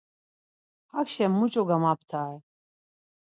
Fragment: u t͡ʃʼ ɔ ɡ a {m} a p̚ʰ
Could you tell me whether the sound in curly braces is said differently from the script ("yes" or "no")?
no